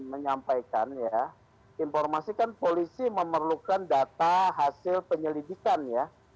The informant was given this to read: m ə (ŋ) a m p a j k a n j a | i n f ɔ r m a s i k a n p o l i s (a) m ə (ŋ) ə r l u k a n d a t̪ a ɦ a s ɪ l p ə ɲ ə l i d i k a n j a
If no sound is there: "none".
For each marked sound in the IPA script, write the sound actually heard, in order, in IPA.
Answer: ɲ, i, m

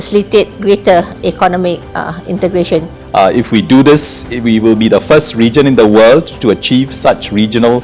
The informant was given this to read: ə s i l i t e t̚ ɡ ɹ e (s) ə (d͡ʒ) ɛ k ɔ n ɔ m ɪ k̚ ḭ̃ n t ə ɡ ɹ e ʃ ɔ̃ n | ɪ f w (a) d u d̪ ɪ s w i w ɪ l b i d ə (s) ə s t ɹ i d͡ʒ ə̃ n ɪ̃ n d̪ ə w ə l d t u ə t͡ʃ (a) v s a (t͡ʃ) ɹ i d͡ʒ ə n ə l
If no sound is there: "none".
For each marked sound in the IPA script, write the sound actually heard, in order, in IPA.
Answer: t, none, i, f, i, t͡ʃ

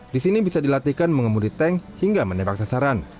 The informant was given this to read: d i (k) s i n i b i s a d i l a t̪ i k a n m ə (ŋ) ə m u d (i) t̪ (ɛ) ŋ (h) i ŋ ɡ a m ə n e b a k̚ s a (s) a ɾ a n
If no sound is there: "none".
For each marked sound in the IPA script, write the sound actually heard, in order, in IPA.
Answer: none, ŋ, i, ɛ, h, s

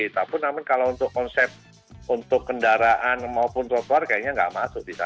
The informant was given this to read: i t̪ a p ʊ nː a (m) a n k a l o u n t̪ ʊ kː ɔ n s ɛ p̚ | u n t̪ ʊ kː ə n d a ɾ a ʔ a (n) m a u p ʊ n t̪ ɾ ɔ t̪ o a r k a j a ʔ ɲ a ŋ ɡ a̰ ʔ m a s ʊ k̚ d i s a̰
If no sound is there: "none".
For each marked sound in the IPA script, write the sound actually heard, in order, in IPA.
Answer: m, n

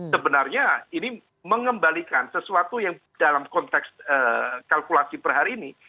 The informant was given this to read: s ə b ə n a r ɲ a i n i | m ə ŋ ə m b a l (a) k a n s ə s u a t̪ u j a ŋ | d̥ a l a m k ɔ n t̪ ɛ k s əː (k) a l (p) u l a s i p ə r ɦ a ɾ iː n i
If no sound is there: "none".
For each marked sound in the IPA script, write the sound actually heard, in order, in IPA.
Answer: i, k, k

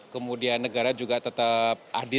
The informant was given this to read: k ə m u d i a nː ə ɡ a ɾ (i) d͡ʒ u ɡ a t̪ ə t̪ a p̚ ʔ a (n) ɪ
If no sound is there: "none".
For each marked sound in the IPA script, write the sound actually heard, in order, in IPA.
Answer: a, d

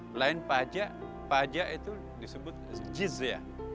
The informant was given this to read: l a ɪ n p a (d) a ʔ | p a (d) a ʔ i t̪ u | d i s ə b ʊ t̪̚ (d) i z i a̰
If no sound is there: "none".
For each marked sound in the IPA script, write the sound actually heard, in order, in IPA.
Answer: d͡ʒ, d͡ʒ, d͡ʒ

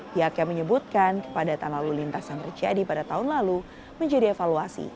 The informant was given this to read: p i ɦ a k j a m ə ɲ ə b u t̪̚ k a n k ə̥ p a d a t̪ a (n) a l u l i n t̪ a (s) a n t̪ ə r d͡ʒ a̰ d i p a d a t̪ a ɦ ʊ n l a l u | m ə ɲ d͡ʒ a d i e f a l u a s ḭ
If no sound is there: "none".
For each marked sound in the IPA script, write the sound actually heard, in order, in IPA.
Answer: n, s

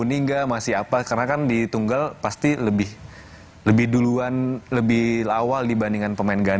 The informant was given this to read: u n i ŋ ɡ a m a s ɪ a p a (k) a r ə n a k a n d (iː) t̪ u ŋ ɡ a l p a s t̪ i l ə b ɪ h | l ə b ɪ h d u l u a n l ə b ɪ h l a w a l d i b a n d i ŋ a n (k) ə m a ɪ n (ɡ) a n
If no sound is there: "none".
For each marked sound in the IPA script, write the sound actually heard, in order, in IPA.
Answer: k, i, p, ɡ

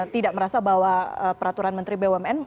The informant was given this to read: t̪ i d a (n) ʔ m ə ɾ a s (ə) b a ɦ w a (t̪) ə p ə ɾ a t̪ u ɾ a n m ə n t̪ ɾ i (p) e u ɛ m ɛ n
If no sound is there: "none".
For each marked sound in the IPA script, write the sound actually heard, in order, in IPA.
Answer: none, a, none, b

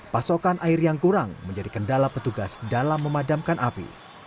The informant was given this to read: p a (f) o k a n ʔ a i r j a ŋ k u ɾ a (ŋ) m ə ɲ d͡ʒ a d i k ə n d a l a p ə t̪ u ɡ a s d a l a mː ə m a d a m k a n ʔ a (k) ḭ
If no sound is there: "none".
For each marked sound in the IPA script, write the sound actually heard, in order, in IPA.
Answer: s, ŋ, p

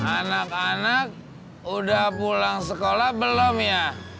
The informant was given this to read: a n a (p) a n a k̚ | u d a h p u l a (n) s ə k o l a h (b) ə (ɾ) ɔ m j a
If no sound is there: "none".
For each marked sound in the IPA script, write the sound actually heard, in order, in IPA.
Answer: k, ŋ, b, l

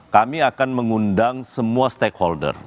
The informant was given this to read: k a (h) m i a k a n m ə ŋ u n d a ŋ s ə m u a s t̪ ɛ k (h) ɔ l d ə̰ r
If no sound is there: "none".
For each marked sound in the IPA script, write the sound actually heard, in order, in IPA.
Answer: none, h

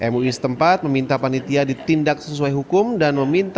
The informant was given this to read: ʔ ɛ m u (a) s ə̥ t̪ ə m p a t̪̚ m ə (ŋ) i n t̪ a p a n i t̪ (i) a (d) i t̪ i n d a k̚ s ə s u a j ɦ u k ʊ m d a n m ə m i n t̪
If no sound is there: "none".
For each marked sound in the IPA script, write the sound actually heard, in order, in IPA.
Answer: i, m, i, d

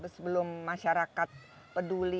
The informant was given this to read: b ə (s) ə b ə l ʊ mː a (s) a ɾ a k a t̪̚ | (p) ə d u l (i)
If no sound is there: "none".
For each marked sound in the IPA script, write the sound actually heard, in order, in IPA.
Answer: s, ʃ, p, i

